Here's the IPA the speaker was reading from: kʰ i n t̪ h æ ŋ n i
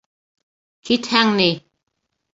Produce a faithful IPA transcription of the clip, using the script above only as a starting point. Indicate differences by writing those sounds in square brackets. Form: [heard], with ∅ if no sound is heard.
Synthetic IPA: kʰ i [∅] t̪ h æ ŋ n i